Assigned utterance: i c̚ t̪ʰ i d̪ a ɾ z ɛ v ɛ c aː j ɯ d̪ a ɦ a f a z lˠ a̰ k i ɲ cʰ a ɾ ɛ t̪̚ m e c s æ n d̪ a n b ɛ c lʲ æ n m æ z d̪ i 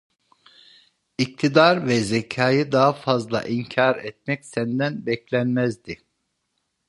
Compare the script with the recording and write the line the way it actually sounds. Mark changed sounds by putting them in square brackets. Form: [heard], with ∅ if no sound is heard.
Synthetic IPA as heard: i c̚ t̪ʰ i d̪ a ɾ [v] ɛ [z] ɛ [cʰ] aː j ɯ d̪ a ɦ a f a z lˠ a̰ [ʔ] i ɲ cʰ a ɾ ɛ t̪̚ m [ɛ] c s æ n d̪ [æ] n b ɛ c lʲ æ n m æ z d̪ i